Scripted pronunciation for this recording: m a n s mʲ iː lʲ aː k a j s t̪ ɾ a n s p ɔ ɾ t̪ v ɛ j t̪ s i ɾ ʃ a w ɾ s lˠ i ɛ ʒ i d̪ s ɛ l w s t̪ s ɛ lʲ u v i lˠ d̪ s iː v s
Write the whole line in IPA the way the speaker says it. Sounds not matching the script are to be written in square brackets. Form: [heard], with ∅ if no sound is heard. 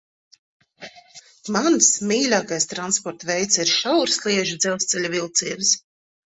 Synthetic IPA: m a n s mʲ iː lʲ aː k a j s t̪ ɾ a n s p ɔ ɾ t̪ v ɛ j t̪ s i ɾ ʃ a w ɾ s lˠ i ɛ ʒ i d̪ [z] ɛ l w s t̪ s ɛ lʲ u v i lˠ [t̪] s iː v s

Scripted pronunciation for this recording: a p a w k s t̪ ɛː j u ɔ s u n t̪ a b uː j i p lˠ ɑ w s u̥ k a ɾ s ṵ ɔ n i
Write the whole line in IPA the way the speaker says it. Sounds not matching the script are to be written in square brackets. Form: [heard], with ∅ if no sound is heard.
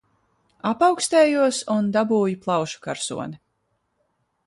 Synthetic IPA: a p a w k s t̪ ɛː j u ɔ s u n [d̪] a b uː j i p lˠ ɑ w [ʃ] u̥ k a ɾ s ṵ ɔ n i

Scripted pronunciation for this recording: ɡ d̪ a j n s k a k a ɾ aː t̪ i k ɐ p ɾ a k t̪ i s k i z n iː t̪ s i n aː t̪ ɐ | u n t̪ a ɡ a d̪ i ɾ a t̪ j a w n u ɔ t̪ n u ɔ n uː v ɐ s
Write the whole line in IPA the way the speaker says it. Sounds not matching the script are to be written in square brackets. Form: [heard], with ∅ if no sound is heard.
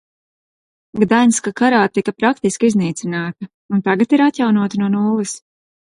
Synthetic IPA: ɡ d̪ a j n s k a k a ɾ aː t̪ i k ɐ p ɾ a k t̪ i s k i z n iː t̪ s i n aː t̪ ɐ | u n t̪ a ɡ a [t̪] i ɾ a t̪ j a w n u ɔ t̪ n u ɔ n uː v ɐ s

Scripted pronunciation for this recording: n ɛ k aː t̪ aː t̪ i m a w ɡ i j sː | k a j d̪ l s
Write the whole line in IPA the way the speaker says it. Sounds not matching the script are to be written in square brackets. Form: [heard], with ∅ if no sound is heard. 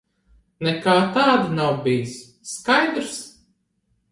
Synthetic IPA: n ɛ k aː t̪ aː [d̪] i [n] a w [b] i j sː | k a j d̪ [ɾ] s

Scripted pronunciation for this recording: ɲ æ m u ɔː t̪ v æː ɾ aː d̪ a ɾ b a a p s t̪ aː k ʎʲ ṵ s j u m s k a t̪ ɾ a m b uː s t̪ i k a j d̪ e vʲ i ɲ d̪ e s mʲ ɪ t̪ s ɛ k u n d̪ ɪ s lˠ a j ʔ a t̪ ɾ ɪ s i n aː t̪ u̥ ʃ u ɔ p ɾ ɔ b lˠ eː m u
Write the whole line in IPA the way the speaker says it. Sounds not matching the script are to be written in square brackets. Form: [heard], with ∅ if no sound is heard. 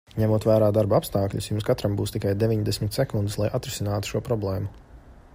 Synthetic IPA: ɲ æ m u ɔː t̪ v æː ɾ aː d̪ a ɾ b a a p s t̪ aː k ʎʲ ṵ s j u m s k a t̪ ɾ a m b uː s t̪ i k a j d̪ e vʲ i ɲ d̪ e s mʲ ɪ t̪ s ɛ k u n d̪ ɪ s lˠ a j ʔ a t̪ ɾ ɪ s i n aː t̪ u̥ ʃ u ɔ p ɾ ɔ b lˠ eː m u

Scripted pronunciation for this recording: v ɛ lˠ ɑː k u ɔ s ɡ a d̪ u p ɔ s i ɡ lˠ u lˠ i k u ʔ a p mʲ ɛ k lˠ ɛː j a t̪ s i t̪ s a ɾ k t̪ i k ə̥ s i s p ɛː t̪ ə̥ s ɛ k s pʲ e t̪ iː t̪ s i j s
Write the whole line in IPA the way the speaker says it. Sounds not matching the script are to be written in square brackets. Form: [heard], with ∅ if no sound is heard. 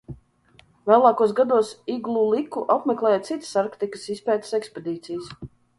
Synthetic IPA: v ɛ lˠ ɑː k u ɔ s ɡ a d̪ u [∅] ɔ s i ɡ lˠ u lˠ i k u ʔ a p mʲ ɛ k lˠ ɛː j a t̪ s i t̪ s a ɾ k t̪ i k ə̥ s i s p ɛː t̪ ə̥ s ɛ k s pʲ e [d̪] iː t̪ s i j s

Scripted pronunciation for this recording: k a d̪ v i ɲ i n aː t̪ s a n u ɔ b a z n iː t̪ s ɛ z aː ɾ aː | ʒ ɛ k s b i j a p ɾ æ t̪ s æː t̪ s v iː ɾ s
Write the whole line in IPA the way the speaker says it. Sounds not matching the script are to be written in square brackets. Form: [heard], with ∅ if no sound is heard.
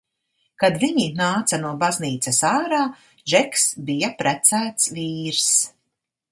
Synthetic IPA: k a d̪ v i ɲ i n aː t̪ s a n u ɔ b a z n iː t̪ s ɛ [s] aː ɾ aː | ʒ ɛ k s b i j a p ɾ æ t̪ s æː t̪ s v iː ɾ s

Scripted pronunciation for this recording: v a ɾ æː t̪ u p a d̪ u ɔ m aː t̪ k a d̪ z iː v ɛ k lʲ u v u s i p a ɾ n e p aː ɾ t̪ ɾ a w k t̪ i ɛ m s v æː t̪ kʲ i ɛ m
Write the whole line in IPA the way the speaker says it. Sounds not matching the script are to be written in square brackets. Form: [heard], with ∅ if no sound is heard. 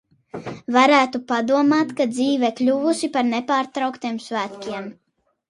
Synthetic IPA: v a ɾ æː t̪ u p a d̪ u ɔ m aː t̪ k a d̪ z iː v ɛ k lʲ u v u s i p a ɾ n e p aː ɾ t̪ ɾ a w k t̪ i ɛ m s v æː t̪ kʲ i ɛ m

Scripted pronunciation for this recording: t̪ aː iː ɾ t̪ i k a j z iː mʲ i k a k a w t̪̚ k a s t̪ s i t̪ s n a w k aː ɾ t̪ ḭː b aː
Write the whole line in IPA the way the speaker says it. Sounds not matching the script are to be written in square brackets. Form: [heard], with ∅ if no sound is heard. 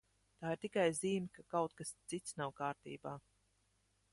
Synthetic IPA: t̪ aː [i] ɾ t̪ i k a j z iː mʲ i k a k a w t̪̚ k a s t̪ s i t̪ s n a w k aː ɾ t̪ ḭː b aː

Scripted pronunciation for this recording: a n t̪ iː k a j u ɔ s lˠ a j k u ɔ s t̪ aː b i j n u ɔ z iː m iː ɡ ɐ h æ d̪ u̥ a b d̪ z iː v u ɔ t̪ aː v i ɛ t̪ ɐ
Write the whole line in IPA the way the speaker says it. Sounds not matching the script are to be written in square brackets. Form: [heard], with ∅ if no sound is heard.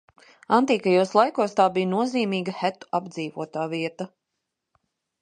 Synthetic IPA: a n t̪ iː k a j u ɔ s lˠ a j k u ɔ s t̪ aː b i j n u ɔ z iː m iː ɡ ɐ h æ [t̪] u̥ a b d̪ z iː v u ɔ t̪ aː v i ɛ t̪ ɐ

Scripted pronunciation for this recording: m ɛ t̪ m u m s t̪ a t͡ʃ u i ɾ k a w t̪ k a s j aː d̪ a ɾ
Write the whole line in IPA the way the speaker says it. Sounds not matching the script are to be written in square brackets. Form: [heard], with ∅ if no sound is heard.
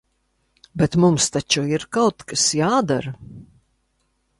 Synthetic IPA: [b] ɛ t̪ m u m s t̪ a t͡ʃ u i ɾ k a w t̪ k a s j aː d̪ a ɾ

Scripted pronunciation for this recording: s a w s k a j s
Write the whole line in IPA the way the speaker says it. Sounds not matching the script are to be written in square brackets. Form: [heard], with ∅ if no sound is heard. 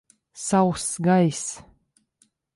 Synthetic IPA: s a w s [ɡ] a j s

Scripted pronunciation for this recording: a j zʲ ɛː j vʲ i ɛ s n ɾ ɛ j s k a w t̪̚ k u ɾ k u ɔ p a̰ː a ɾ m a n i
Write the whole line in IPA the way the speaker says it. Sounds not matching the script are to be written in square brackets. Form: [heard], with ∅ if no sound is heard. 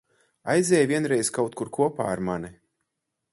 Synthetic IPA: a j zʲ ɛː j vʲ i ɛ [∅] n ɾ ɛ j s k a w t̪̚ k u ɾ k u ɔ p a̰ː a ɾ m a n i

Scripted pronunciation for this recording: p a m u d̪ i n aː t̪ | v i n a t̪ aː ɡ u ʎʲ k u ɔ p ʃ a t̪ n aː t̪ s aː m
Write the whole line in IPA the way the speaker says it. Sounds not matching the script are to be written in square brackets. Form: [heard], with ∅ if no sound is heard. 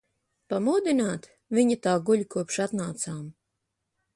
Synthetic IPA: p a m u d̪ i n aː t̪ | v i [ɲ] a t̪ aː ɡ u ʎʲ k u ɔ p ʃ a t̪ n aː t̪ s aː m

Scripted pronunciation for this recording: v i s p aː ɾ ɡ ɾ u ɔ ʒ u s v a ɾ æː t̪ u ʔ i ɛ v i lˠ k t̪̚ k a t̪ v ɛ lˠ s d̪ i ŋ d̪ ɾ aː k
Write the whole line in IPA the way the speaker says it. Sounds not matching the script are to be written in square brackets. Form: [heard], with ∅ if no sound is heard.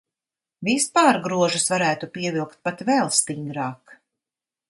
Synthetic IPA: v i s p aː ɾ ɡ ɾ u ɔ ʒ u s v a ɾ æː t̪ u [p] i ɛ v i lˠ k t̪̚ [p] a t̪ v ɛ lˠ s [t̪] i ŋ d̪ ɾ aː k

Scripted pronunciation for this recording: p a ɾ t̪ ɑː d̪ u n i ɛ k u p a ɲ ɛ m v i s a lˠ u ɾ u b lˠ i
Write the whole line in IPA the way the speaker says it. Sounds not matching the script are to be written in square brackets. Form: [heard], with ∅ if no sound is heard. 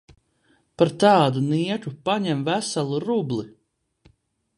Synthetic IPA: p a ɾ t̪ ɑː d̪ u n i ɛ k u p a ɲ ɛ m v [æ] s a lˠ u ɾ u b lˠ i

